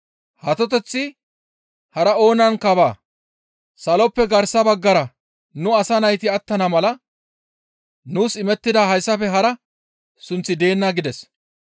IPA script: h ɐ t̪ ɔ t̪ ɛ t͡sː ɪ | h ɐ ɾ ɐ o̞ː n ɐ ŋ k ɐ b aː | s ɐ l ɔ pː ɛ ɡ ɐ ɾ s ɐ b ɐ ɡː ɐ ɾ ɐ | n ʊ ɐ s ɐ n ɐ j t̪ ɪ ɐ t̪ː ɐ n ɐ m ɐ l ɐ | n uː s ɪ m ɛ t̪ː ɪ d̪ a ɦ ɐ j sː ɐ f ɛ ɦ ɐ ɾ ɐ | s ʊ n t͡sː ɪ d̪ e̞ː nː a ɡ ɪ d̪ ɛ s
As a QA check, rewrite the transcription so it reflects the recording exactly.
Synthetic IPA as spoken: h ɐ t̪ ɔ t̪ ɛ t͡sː ɪ | h ɐ ɾ ɐ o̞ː n ɐ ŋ k ɐ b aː | s ɐ l ɔ pː ɛ ɡ ɐ ɾ s ɐ b ɐ ɡː ɐ ɾ ɐ | n ʊ ɐ s ɐ n ɐ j t̪ ɪ ɐ t̪ː ɐ n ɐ m ɐ l ɐ | n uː s ɪ m ɛ t̪ː ɪ d̪ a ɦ ɐ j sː ɐ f ɛ ɦ ɐ ɾ ɐ | s ʊ n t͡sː ɪ d̪ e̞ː nː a ɡ ɪ d̪ ɛ s

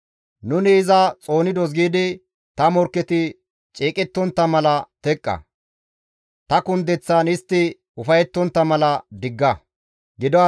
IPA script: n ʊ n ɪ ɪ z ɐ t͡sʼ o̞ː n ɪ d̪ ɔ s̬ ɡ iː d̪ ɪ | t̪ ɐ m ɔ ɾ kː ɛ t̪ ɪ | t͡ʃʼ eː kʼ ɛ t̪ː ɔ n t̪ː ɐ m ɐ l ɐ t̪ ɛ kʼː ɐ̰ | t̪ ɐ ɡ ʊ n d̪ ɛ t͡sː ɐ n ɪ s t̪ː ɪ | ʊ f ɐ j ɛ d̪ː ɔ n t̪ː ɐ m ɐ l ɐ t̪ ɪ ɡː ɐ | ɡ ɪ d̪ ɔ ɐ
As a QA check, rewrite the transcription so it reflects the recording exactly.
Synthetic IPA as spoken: n ʊ n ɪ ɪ z ɐ t͡sʼ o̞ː n ɪ d̪ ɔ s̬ ɡ iː d̪ ɪ | t̪ ɐ m ɔ ɾ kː ɛ t̪ ɪ | t͡ʃʼ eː kʼ ɛ t̪ː ɔ n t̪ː ɐ m ɐ l ɐ t̪ ɛ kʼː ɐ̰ | t̪ ɐ k ʊ n d̪ ɛ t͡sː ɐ n ɪ s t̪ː ɪ | ʊ f ɐ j ɛ t̪ː ɔ n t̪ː ɐ m ɐ l ɐ d̪ ɪ ɡː ɐ | ɡ ɪ d̪ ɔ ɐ

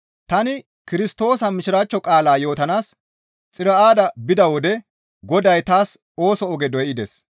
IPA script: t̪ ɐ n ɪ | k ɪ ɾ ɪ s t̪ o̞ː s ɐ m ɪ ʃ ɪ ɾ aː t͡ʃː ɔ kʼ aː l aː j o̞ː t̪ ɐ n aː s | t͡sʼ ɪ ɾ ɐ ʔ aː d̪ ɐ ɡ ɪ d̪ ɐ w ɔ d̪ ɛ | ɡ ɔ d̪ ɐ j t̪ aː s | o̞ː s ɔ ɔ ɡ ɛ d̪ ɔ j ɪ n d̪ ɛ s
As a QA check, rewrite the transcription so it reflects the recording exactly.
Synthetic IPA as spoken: t̪ ɐ n ɪ | k ɪ ɾ ɪ s t̪ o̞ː s ɐ m ɪ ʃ ɪ ɾ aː t͡ʃː ɔ kʼ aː l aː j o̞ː t̪ ɐ n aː s | t͡sʼ ɪ ɾ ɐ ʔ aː d̪ ɐ b ɪ d̪ ɐ w ɔ d̪ ɛ | ɡ ɔ d̪ ɐ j t̪ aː s | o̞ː s ɔ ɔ ɡ ɛ d̪ ɔ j ɪ d̪ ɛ s

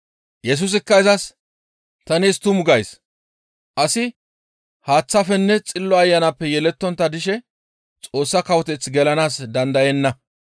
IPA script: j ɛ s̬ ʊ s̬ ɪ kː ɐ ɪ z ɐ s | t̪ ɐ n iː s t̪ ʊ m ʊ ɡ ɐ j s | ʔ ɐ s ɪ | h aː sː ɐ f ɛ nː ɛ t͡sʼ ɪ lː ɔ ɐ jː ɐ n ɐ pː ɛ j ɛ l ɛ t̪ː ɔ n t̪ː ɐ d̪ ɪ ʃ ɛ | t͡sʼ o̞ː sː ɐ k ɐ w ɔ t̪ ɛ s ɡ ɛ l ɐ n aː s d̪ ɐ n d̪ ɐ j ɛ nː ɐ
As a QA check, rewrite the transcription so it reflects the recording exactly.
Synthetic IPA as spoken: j ɛ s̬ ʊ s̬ ɪ kː ɐ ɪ z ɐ s | t̪ ɐ n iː s t̪ ʊ m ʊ ɡ ɐ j s | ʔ ɐ s ɪ | h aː t͡sː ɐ f ɛ nː ɛ t͡sʼ ɪ lː ɔ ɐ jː ɐ n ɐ pː ɛ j ɛ l ɛ t̪ː ɔ n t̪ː ɐ d̪ ɪ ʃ ɛ | t͡sʼ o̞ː sː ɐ k ɐ w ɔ t̪ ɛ t͡s ɡ ɛ l ɐ n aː s d̪ ɐ n d̪ ɐ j ɛ nː ɐ

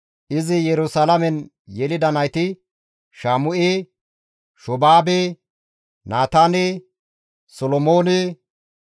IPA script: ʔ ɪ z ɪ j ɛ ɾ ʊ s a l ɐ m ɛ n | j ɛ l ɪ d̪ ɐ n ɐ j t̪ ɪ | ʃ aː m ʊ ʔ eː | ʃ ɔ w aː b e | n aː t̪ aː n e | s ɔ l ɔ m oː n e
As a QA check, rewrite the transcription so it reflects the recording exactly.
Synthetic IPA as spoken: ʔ ɪ z ɪ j ɛ ɾ ʊ s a l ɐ m ɛ n | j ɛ l ɪ d̪ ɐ n ɐ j t̪ ɪ | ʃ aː m ʊ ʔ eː | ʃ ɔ b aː b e | n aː t̪ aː n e | s ɔ l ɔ m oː n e

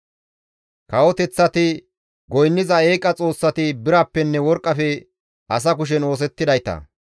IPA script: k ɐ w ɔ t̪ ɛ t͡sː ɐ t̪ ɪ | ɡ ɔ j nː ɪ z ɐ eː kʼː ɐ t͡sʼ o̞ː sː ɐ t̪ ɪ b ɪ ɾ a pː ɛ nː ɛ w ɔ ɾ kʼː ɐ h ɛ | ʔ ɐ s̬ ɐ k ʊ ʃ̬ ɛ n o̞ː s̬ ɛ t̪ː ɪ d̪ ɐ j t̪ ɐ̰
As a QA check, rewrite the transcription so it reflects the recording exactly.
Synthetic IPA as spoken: k ɐ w ɔ t̪ ɛ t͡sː ɐ t̪ ɪ | ɡ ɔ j nː ɪ z ɐ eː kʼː ɐ t͡sʼ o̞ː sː ɐ t̪ ɪ b ɪ ɾ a pː ɛ nː ɛ w ɔ ɾ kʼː ɐ f ɛ | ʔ ɐ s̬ ɐ k ʊ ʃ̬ ɛ n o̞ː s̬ ɛ t̪ː ɪ d̪ ɐ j t̪ ɐ̰

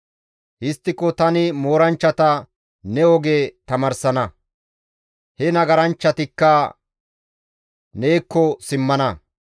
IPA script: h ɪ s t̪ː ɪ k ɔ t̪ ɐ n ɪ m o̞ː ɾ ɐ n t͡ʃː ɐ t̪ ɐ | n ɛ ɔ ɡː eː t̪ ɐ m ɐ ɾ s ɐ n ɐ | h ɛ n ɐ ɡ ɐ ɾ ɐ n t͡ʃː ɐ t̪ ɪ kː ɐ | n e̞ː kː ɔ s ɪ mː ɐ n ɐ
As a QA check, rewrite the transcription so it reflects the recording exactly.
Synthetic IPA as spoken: h ɪ s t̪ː ɪ k ɔ t̪ ɐ n ɪ m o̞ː ɾ ɐ n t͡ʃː ɐ t̪ ɐ | n ɛ ɔ ɡ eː t̪ ɐ m ɐ ɾ s ɐ n ɐ | h ɛ n ɐ ɡ ɐ ɾ ɐ n t͡ʃː ɐ t̪ ɪ kː ɐ | n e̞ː kː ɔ s ɪ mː ɐ n ɐ

